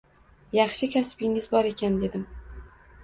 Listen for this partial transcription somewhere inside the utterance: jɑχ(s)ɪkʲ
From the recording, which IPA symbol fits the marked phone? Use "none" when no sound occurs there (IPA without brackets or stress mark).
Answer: ʃ